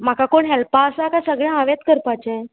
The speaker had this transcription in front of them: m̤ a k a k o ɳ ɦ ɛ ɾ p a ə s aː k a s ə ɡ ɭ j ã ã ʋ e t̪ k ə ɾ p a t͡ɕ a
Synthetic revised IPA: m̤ a k a k o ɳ ɦ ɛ l p a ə s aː k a s ə ɡ ɭ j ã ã ʋ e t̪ k ə ɾ p a t͡ɕ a